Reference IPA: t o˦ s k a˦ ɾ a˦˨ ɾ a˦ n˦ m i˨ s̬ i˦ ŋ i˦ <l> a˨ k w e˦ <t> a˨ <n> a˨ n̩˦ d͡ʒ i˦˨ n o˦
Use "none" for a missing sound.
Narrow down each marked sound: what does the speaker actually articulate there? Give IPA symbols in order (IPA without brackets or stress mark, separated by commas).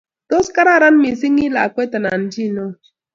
l, t, n